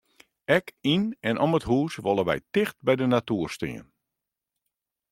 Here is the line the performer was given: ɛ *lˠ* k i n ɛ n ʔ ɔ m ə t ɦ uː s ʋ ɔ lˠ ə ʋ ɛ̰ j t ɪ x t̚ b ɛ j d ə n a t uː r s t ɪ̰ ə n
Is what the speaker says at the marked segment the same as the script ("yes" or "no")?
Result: no